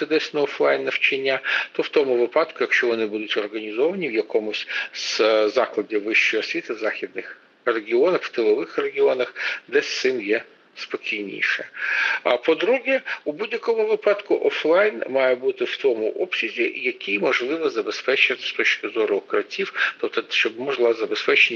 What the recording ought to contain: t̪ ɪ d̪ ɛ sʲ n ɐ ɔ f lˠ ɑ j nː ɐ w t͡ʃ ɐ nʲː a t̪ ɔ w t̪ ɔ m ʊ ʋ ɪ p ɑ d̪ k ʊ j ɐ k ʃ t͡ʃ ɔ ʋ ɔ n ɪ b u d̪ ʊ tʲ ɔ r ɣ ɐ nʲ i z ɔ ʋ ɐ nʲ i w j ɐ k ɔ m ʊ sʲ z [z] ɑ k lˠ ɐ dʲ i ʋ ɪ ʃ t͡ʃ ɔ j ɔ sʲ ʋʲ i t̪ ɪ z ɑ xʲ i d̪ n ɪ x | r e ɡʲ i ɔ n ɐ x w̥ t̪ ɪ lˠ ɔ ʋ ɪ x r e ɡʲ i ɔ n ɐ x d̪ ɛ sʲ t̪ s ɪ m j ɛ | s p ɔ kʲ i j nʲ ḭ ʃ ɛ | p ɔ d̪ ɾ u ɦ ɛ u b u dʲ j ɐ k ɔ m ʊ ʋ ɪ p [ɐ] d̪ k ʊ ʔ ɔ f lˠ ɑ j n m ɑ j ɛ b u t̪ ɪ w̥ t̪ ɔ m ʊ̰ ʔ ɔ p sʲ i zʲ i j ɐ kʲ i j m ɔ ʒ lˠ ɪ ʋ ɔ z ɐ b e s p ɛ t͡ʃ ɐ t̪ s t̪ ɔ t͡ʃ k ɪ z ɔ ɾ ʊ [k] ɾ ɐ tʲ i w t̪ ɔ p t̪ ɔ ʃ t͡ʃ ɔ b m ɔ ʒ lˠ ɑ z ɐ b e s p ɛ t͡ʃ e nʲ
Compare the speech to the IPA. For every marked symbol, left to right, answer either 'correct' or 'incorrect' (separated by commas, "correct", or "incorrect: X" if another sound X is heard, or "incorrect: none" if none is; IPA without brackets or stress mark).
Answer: correct, incorrect: ɑ, correct